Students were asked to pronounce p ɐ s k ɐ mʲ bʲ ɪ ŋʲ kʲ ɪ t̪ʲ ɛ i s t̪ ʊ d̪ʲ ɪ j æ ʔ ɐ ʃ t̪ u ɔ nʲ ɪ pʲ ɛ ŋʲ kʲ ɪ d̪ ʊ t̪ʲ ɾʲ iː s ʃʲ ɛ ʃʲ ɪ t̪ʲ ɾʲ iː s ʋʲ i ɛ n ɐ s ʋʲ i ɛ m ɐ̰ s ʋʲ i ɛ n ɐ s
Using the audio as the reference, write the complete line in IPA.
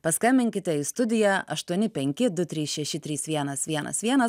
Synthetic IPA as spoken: p ɐ s k ɐ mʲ bʲ ɪ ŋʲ kʲ ɪ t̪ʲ ɛ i s t̪ ʊ d̪ʲ ɪ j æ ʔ ɐ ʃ t̪ u ɔ nʲ ɪ pʲ ɛ ŋʲ kʲ ɪ d̪ ʊ t̪ʲ ɾʲ iː s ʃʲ ɛ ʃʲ ɪ t̪ʲ ɾʲ iː s ʋʲ i ɛ n ɐ s ʋʲ i ɛ n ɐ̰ s ʋʲ i ɛ n ɐ s

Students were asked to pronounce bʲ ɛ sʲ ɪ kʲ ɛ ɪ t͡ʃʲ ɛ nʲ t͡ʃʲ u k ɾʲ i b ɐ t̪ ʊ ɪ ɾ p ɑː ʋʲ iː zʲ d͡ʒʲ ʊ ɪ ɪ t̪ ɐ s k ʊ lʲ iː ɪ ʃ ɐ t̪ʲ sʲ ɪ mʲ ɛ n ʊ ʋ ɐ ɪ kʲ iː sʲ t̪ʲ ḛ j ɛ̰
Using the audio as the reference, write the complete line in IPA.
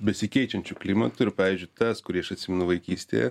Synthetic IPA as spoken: bʲ ɛ sʲ ɪ kʲ ɛ ɪ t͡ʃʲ ɛ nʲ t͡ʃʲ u k lʲ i m ɐ t̪ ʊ ɪ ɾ p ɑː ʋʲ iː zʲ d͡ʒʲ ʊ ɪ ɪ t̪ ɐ s k ʊ ɾʲ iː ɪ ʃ ɐ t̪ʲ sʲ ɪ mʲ ɛ n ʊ ʋ ɐ ɪ kʲ iː sʲ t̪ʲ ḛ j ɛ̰

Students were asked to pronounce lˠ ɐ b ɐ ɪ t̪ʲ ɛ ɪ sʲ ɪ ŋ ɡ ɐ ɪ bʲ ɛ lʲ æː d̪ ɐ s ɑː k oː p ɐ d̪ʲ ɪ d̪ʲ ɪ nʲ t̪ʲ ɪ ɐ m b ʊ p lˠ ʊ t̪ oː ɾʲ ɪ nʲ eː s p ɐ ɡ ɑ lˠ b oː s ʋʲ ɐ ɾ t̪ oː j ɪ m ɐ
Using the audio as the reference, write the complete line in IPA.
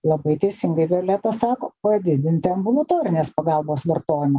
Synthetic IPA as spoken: lˠ ɐ b ɐ ɪ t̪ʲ ɛ ɪ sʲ ɪ ŋ ɡ ɐ ɪ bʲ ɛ lʲ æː t̪ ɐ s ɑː k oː p ɐ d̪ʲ ɪ d̪ʲ ɪ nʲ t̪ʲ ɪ ɐ m b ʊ lˠ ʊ t̪ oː ɾʲ ɪ nʲ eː s p ɐ ɡ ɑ lˠ b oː s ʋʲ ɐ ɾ t̪ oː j ɪ m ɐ

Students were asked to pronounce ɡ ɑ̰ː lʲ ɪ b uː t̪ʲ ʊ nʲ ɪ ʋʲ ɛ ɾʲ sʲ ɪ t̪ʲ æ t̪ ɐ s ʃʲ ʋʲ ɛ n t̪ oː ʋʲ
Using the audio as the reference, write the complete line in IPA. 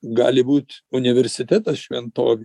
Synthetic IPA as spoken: ɡ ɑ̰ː lʲ ɪ b uː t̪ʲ ʊ nʲ ɪ ʋʲ ɛ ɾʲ sʲ ɪ t̪ʲ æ t̪ ɐ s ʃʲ ʋʲ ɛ n t̪ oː ʋʲ

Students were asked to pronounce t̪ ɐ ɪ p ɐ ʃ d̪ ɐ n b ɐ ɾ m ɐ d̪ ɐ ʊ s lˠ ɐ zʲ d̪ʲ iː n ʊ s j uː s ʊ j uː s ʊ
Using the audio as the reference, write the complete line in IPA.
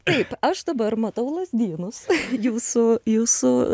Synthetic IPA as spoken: t̪ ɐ ɪ p ɐ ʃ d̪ ɐ b ɐ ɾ m ɐ t̪ ɐ ʊ lˠ ɐ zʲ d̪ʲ iː n ʊ s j uː s ʊ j uː s ʊ

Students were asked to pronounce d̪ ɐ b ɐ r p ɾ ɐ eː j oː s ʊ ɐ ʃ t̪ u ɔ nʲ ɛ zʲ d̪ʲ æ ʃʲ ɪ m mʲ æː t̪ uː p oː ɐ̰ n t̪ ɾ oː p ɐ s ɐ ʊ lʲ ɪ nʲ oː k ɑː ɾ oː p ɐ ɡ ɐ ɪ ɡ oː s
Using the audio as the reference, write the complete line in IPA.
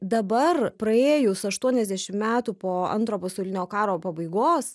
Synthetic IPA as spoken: d̪ ɐ b ɐ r p ɾ ɐ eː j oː s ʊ ɐ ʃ t̪ u ɔ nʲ ɛ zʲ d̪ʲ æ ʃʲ ɪ m mʲ æː t̪ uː p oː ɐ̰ n t̪ ɾ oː p ɐ s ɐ ʊ lʲ ɪ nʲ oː k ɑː ɾ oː p ɐ b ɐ ɪ ɡ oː s

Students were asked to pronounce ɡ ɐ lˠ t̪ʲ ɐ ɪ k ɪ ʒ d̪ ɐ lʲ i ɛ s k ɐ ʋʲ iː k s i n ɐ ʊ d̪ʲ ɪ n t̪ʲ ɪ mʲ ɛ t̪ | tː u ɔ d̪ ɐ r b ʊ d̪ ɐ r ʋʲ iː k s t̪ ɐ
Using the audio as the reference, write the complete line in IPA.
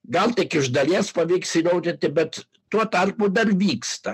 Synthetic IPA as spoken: ɡ ɐ lˠ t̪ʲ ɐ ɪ k ɪ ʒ d̪ ɐ lʲ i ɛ s p ɐ ʋʲ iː k s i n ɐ ʊ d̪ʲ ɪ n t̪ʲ ɪ bʲ ɛ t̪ | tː u ɔ t̪ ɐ r p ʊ d̪ ɐ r ʋʲ iː k s t̪ ɐ

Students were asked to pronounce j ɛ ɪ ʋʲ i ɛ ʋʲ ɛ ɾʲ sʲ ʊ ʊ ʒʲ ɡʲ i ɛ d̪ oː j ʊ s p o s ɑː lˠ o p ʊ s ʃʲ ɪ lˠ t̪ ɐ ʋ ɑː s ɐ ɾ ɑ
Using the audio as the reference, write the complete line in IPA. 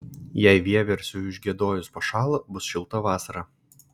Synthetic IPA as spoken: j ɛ ɪ ʋʲ i ɛ ʋʲ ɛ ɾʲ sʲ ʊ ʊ ʒʲ ɡʲ i ɛ d̪ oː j ʊ s p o ʃ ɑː lˠ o b ʊ s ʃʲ ɪ lˠ t̪ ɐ ʋ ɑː s ɐ ɾ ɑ

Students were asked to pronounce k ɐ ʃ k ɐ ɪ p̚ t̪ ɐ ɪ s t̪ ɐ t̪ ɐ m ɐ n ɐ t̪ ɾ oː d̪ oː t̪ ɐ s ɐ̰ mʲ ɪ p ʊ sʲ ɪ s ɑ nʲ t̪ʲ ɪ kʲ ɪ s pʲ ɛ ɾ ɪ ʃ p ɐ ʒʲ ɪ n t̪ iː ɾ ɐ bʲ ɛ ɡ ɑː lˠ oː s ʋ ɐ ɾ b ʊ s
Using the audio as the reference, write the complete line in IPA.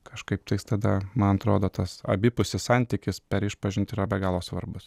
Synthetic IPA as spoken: k ɐ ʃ k ɐ ɪ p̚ t̪ ɐ ɪ s t̪ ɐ d̪ ɐ m ɐ n ɐ t̪ ɾ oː d̪ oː t̪ ɐ s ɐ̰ bʲ ɪ p ʊ sʲ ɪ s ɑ nʲ t̪ʲ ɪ kʲ ɪ s pʲ ɛ ɾ ɪ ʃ p ɐ ʒʲ ɪ n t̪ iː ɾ ɐ bʲ ɛ ɡ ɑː lˠ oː s ʋ ɐ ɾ b ʊ s

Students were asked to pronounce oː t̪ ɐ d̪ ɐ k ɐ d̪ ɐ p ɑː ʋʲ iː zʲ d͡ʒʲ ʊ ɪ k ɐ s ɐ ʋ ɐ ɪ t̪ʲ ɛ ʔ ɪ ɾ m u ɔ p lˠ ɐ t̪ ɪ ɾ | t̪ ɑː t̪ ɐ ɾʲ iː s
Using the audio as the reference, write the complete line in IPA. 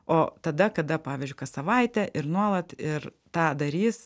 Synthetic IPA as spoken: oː t̪ ɐ d̪ ɐ k ɐ d̪ ɐ p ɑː ʋʲ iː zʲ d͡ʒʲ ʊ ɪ k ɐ s ɐ ʋ ɐ ɪ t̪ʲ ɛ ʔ ɪ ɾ n u ɔ lˠ ɐ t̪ ɪ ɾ | t̪ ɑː d̪ ɐ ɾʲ iː s

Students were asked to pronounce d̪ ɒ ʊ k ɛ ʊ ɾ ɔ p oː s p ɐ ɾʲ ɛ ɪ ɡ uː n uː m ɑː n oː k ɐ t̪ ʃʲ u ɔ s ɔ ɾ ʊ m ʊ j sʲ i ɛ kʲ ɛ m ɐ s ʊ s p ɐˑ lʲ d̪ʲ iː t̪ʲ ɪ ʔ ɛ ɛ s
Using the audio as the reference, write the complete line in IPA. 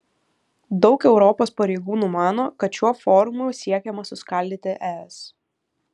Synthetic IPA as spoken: d̪ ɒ ʊ k ɛ ʊ ɾ ɔ p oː s p ɐ ɾʲ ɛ ɪ ɡ uː n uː m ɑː n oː k ɐ t̪ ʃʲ u ɔ f ɔ ɾ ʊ m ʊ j sʲ i ɛ kʲ ɛ m ɐ s ʊ s k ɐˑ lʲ d̪ʲ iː t̪ʲ ɪ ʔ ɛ ɛ s

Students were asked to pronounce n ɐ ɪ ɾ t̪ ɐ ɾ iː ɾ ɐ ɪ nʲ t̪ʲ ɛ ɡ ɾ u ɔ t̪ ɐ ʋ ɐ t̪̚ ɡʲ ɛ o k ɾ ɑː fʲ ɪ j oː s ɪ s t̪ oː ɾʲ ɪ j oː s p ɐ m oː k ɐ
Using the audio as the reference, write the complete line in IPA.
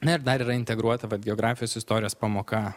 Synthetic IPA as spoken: n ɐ ɪ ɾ d̪ ɐ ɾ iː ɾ ɐ ɪ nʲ t̪ʲ ɛ ɡ ɾ u ɔ t̪ ɐ ʋ ɐ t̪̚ ɡʲ ɛ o ɡ ɾ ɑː fʲ ɪ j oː s ɪ s t̪ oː ɾʲ ɪ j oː s p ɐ m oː k ɐ

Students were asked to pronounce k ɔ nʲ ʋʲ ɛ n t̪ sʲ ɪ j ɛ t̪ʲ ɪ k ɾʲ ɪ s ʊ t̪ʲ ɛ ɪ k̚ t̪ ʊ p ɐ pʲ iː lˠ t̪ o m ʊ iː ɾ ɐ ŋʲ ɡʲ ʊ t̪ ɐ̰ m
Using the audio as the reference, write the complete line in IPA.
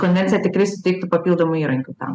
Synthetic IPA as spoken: k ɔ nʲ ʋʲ ɛ n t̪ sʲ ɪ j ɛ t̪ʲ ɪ k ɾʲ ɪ s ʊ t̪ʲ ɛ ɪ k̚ t̪ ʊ p ɐ pʲ i lˠ d̪ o m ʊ iː ɾ ɐ ŋʲ kʲ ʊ t̪ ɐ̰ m

